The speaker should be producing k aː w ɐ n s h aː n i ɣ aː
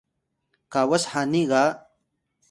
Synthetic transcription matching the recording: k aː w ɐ s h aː n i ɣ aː